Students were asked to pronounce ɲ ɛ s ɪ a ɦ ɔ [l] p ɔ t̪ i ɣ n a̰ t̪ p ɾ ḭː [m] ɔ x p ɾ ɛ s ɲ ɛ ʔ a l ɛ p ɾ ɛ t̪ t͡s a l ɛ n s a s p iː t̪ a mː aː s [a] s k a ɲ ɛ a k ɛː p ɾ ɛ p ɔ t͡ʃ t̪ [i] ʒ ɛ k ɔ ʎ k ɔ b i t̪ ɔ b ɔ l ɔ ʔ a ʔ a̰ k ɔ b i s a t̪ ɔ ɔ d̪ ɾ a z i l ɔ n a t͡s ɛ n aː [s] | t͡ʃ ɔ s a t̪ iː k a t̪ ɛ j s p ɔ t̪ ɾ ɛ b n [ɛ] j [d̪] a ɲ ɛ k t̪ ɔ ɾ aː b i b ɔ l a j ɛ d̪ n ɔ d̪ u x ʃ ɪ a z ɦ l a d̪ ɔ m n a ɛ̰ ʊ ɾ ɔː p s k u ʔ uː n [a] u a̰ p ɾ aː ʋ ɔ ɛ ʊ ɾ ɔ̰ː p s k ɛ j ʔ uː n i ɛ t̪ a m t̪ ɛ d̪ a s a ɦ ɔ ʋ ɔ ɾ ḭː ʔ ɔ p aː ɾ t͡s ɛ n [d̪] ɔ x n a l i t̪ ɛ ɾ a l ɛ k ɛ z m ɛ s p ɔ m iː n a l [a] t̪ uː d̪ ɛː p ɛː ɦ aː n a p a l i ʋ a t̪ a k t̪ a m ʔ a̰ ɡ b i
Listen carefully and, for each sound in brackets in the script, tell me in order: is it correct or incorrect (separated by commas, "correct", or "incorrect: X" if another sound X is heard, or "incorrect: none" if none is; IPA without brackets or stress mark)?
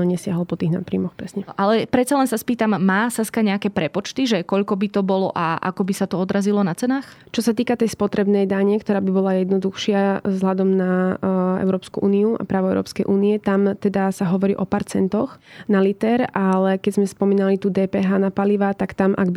correct, correct, correct, correct, incorrect: x, correct, correct, incorrect: i, incorrect: t̪, incorrect: i